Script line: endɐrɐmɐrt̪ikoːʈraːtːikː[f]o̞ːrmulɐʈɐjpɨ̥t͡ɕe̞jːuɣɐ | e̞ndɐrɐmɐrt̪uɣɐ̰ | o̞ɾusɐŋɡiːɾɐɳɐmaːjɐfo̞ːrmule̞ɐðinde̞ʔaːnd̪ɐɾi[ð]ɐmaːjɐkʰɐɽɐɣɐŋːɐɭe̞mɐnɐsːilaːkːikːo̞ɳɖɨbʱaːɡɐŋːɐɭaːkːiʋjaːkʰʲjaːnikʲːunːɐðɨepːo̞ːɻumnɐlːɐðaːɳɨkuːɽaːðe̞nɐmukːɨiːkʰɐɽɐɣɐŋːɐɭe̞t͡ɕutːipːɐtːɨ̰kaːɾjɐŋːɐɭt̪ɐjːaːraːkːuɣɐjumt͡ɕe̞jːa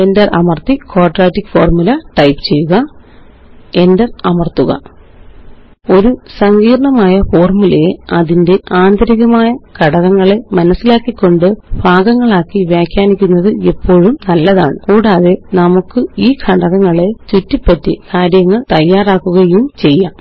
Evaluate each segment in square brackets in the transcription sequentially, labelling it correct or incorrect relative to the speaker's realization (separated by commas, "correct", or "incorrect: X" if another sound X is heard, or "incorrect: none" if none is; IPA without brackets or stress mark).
correct, incorrect: ɣ